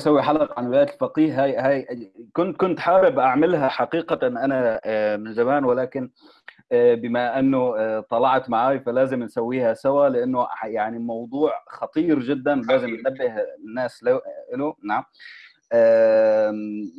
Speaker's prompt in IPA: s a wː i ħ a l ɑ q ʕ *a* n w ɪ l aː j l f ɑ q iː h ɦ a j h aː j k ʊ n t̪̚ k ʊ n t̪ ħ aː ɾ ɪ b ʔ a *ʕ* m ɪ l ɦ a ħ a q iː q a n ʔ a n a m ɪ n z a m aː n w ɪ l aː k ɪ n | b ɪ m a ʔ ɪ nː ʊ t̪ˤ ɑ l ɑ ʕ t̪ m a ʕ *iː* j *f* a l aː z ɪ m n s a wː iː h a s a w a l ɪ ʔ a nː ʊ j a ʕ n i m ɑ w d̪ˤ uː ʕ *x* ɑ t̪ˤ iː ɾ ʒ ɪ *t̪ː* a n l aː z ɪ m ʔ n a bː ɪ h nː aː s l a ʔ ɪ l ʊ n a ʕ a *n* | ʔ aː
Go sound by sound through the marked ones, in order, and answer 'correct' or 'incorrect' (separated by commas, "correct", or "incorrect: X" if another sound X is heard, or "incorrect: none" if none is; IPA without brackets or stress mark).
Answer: correct, correct, incorrect: aː, correct, correct, incorrect: d̪ː, incorrect: m